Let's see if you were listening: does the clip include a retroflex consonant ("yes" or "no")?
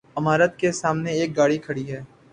yes